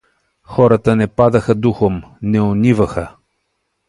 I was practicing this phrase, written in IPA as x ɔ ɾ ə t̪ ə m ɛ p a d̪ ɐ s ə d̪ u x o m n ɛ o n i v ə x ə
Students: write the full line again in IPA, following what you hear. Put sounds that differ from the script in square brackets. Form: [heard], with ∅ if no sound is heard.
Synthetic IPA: x ɔ ɾ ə t̪ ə [n] ɛ p a d̪ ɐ [x] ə d̪ u x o m n ɛ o n i v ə x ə